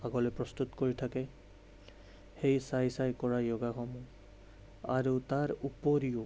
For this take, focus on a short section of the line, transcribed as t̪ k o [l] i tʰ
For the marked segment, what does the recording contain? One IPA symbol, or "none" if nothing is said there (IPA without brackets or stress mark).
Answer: ɹ